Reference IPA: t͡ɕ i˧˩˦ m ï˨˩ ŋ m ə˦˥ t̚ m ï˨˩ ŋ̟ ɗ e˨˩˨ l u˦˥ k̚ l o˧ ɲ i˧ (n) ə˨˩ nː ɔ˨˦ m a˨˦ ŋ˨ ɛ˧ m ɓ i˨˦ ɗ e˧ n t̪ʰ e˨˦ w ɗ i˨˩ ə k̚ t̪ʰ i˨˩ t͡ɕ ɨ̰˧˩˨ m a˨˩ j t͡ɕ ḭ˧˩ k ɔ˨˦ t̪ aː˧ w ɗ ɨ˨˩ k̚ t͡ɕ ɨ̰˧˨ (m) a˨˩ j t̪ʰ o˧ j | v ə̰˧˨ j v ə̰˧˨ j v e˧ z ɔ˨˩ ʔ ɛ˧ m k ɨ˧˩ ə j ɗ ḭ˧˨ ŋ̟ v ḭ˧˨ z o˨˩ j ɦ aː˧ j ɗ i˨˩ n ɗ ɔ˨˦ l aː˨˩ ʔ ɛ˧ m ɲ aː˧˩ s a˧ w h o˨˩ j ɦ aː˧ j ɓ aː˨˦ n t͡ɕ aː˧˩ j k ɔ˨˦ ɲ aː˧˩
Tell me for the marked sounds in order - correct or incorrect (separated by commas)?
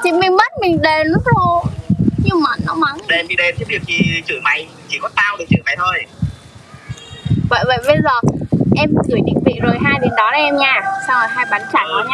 incorrect, correct